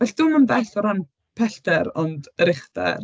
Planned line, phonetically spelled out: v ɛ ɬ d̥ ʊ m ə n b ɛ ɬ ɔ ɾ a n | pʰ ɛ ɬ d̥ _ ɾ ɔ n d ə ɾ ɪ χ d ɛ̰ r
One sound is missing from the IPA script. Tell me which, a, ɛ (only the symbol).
ɛ